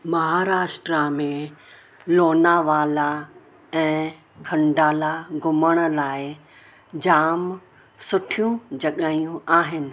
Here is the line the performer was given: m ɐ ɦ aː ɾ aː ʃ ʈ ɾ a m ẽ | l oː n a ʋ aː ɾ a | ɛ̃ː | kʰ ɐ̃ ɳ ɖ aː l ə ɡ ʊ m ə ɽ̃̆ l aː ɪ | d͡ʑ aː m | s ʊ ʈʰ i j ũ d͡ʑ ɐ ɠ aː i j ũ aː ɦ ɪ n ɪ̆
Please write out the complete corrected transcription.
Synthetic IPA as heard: m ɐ ɦ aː ɾ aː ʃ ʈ ɾ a m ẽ | l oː n a ʋ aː l a | ɛ̃ː | kʰ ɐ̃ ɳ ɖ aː l a ɡ ʊ m ə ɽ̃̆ l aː ɪ | d͡ʑ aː m | s ʊ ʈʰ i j ũ d͡ʑ ɐ ɠ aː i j ũ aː ɦ ɪ n ɪ̆